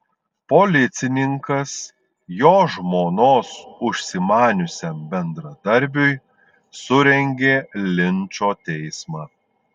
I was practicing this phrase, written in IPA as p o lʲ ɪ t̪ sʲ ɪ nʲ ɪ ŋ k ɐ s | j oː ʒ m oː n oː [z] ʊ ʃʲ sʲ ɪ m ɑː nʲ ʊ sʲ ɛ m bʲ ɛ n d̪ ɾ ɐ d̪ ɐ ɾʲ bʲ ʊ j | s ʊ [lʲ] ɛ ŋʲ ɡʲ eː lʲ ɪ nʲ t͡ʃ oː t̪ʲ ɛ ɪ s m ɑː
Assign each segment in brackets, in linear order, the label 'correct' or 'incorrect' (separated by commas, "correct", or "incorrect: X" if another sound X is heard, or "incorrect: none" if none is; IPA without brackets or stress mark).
incorrect: s, incorrect: ɾʲ